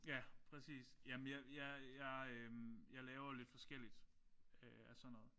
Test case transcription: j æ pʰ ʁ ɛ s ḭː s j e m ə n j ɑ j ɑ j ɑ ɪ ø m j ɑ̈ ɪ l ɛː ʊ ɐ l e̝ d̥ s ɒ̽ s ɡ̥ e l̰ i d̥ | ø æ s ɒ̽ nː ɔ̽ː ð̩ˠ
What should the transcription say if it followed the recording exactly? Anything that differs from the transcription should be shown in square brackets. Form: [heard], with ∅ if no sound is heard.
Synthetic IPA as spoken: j æ pʰ ʁ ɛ s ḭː s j [æ] m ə n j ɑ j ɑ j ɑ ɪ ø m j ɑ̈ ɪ l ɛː ʊ ɐ l e̝ d̥ [f] ɒ̽ s ɡ̥ e l̰ i d̥ | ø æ s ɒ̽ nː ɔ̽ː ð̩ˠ